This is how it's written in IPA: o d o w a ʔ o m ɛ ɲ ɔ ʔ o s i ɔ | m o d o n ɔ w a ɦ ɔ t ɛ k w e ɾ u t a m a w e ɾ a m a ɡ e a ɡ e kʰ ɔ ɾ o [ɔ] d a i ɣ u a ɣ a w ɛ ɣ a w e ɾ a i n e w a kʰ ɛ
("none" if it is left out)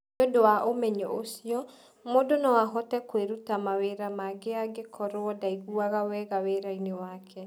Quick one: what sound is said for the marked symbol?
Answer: ɔ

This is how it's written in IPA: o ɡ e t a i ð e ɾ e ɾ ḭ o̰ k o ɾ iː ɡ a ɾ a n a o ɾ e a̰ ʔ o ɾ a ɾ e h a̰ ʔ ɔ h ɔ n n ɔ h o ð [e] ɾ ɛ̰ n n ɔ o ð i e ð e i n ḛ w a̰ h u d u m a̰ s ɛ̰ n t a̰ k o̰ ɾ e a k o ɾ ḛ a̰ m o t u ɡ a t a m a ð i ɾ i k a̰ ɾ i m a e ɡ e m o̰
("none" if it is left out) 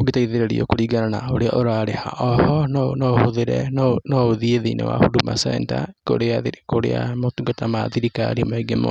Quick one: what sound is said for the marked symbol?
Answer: e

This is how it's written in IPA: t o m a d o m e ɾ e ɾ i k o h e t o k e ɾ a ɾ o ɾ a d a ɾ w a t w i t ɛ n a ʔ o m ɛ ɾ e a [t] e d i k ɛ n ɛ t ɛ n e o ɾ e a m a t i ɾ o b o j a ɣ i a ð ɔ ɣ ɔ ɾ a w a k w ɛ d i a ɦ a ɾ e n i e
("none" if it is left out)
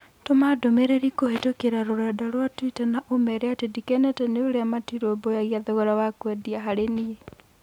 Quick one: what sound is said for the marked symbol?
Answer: t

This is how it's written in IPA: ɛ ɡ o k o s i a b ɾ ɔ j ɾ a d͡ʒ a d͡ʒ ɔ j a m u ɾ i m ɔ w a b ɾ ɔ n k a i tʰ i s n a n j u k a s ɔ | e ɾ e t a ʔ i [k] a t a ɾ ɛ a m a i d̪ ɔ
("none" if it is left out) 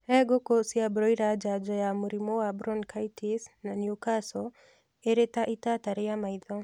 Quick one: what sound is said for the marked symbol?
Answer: t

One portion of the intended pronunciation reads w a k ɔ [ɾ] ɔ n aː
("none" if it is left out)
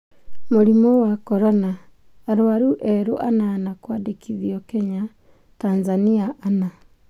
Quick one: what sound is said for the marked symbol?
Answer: ɾ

